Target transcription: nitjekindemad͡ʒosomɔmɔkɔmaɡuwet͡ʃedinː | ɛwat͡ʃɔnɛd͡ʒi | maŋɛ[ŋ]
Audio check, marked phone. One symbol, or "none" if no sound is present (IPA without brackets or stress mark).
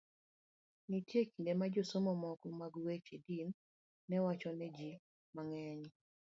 ɲ